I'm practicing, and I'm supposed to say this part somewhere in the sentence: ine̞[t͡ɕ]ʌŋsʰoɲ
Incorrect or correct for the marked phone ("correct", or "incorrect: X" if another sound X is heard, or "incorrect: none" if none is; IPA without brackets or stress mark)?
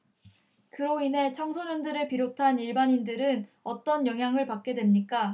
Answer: incorrect: t͡ɕʰ